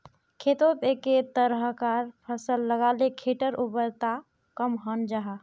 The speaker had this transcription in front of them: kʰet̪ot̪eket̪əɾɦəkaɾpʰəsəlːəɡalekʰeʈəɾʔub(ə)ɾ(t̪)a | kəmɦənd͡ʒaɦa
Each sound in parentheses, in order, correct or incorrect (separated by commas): correct, correct